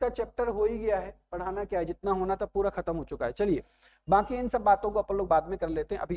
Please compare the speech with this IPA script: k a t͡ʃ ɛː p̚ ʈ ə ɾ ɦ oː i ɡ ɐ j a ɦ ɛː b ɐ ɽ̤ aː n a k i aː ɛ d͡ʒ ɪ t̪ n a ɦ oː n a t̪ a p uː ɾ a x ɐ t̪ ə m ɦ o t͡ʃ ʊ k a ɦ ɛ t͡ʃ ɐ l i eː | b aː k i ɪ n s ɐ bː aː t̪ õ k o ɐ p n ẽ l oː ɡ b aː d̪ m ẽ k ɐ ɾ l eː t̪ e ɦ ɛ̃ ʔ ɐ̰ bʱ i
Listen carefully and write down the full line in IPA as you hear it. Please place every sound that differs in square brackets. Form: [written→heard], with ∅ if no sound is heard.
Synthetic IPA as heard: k a t͡ʃ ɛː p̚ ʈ ə ɾ ɦ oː i ɡ ɐ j a ɦ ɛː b ɐ ɽ̤ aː n a k [i→j] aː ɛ d͡ʒ ɪ t̪ n a ɦ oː n a t̪ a p uː ɾ a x ɐ t̪ ə m ɦ o t͡ʃ ʊ k a ɦ ɛ t͡ʃ ɐ l i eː | b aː k i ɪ n s ɐ bː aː t̪ õ k o ɐ p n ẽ l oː ɡ b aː d̪ m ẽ k ɐ ɾ l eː t̪ e ɦ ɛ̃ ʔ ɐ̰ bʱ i